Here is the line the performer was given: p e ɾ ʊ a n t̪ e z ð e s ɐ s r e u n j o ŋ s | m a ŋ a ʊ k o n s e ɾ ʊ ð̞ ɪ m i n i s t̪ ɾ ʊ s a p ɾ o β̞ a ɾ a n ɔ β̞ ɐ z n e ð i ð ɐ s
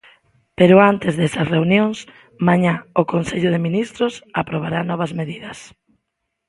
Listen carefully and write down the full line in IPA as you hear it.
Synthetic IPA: p e ɾ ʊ a n t̪ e z ð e s ɐ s r e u n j o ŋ s | m a ɲ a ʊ k o n s e ʎ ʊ ð̞ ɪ m i n i s t̪ ɾ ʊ s a p ɾ o β̞ a ɾ a n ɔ β̞ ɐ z m e ð i ð ɐ s